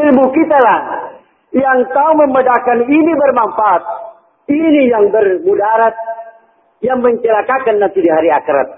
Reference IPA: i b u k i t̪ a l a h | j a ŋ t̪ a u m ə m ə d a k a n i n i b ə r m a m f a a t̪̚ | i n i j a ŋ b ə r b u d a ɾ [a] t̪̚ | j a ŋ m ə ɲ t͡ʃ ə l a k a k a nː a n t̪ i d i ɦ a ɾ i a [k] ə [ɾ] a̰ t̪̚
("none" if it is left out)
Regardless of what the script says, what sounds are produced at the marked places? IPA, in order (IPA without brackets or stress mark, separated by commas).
a, k, ɾ